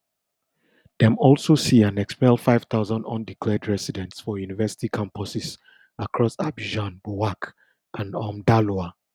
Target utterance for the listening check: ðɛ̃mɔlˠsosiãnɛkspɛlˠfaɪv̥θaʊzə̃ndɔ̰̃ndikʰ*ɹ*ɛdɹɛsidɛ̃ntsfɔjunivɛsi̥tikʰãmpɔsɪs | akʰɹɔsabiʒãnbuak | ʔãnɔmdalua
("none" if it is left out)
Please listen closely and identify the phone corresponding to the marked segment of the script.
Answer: l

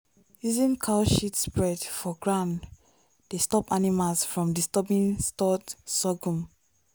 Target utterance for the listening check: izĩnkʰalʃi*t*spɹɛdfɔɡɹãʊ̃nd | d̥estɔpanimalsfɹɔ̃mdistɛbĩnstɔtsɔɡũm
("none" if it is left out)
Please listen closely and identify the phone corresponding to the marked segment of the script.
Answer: t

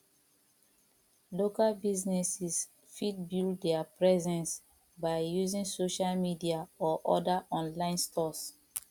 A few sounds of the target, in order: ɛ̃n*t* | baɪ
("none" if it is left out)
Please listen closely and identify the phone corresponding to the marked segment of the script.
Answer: s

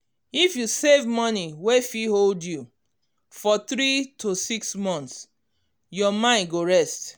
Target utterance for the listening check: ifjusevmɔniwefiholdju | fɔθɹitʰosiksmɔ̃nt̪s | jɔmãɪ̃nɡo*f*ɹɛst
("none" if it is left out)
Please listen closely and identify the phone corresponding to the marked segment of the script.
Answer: none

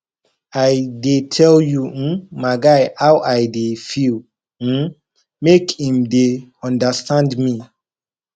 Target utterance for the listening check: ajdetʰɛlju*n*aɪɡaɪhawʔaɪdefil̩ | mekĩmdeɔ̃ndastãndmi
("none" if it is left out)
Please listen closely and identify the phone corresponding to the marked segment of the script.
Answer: m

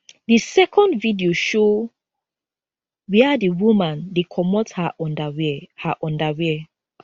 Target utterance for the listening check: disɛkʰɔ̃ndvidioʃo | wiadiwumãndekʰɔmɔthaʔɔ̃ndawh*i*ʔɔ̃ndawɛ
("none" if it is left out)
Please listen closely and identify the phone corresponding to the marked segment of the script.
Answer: a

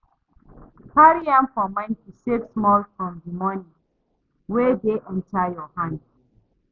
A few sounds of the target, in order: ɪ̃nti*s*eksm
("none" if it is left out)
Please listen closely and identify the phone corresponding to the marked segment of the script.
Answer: s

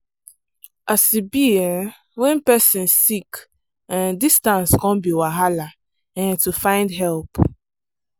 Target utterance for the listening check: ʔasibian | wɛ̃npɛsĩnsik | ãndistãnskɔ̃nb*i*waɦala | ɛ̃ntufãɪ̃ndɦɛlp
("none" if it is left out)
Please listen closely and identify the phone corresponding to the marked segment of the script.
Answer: i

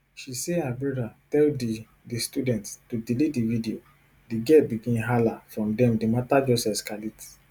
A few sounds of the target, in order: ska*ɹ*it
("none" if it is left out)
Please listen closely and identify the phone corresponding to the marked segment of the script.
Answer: l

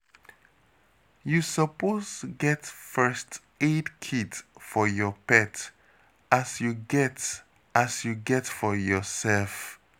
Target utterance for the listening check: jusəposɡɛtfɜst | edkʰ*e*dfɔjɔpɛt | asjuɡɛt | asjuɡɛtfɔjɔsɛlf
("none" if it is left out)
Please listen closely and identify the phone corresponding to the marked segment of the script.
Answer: i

